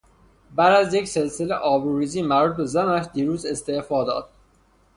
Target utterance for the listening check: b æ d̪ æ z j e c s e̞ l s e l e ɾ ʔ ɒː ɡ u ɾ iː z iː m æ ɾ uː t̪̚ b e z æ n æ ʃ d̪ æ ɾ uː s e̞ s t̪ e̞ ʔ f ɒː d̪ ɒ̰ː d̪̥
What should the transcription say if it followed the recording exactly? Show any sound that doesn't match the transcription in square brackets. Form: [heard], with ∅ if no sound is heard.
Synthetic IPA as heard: b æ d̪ æ z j e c s e̞ l s e l e [∅] ʔ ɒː [b] u ɾ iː z iː m æ ɾ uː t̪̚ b e z æ n æ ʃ d̪ [i] ɾ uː [z] e̞ s t̪ e̞ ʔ f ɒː d̪ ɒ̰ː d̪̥